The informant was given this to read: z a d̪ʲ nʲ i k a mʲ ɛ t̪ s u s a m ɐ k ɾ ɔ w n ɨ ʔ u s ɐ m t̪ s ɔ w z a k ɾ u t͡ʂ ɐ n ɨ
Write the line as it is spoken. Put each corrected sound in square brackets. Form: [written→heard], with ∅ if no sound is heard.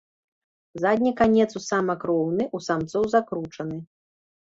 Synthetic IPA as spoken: z a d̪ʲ nʲ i k a [mʲ→nʲ] ɛ t̪ s u s a m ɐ k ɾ ɔ w n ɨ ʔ u s [ɐ→a] m t̪ s ɔ w z a k ɾ u t͡ʂ ɐ n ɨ

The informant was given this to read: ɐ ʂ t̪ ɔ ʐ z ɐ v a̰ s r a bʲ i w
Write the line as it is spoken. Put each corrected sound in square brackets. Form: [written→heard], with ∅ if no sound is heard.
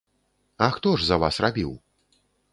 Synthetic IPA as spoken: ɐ [ʂ→x] t̪ ɔ ʐ z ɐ v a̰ s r a bʲ i w

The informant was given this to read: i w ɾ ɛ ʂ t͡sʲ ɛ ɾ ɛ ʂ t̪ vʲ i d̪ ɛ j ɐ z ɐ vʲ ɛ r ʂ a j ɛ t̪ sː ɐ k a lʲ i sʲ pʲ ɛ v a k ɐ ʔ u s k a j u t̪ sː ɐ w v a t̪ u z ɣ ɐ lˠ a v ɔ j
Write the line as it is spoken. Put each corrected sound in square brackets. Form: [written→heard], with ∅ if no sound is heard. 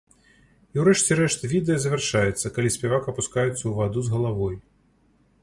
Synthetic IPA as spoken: i w ɾ ɛ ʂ t͡sʲ ɛ ɾ ɛ ʂ t̪ vʲ i d̪ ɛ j ɐ z ɐ vʲ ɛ r ʂ a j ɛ t̪ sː ɐ k a lʲ i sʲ pʲ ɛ v a k ɐ [ʔ→p] u s k a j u t̪ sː ɐ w v a [t̪→d̪] u z ɣ ɐ lˠ a v ɔ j

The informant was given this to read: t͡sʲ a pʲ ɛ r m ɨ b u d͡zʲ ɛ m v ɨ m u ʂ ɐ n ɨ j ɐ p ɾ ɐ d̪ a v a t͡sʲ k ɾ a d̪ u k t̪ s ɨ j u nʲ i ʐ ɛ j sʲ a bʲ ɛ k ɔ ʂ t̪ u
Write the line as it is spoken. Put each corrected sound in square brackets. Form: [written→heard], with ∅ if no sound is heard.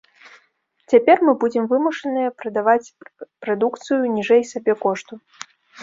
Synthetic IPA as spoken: t͡sʲ a pʲ ɛ r m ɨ b u d͡zʲ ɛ m v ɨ m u ʂ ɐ n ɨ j ɐ p ɾ ɐ d̪ a v a t͡sʲ [k→p] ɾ a d̪ u k t̪ s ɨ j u nʲ i ʐ ɛ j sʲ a bʲ ɛ k ɔ ʂ t̪ u

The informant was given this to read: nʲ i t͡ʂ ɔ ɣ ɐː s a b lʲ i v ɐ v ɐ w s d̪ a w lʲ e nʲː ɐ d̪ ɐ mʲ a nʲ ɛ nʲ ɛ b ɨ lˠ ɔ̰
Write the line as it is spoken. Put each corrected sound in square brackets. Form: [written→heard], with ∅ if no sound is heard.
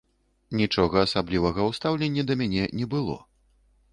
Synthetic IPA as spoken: nʲ i t͡ʂ ɔ ɣ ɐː s a b lʲ i v ɐ [v→ɣ] ɐ w s [d̪→t̪] a w lʲ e nʲː ɐ d̪ ɐ mʲ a nʲ ɛ nʲ ɛ b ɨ lˠ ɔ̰

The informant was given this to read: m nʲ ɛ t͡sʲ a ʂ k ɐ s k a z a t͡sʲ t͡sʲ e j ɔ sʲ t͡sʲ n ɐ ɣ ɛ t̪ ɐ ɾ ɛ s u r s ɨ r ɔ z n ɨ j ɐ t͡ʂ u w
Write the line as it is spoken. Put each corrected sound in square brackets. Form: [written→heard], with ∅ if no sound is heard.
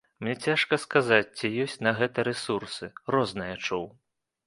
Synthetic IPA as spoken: m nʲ ɛ t͡sʲ a ʂ k ɐ s k a z a t͡sʲ t͡sʲ [e→i] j ɔ sʲ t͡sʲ n ɐ ɣ ɛ t̪ ɐ ɾ ɛ s u r s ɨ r ɔ z n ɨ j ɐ t͡ʂ u w

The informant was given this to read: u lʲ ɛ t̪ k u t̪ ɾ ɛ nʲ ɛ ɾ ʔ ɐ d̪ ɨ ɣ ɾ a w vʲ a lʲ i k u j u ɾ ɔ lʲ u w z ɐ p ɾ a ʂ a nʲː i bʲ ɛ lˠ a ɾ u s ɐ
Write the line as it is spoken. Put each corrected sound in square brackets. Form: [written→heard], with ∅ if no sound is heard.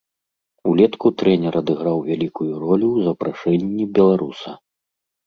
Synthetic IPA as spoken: u lʲ ɛ t̪ k u t̪ ɾ ɛ nʲ ɛ ɾ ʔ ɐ d̪ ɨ ɣ ɾ a w vʲ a lʲ i k u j u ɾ ɔ lʲ u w z ɐ p ɾ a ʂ [a→ɛ] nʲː i bʲ ɛ lˠ a ɾ u s ɐ

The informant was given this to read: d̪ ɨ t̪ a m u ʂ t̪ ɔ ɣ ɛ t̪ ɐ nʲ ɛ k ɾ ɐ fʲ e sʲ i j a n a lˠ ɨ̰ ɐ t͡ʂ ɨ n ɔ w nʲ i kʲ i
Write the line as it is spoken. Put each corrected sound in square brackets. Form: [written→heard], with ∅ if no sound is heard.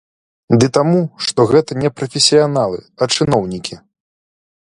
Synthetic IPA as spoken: d̪ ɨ t̪ a m u ʂ t̪ ɔ ɣ ɛ t̪ ɐ nʲ ɛ [k→p] ɾ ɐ fʲ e sʲ i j a n a lˠ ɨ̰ ɐ t͡ʂ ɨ n ɔ w nʲ i kʲ i

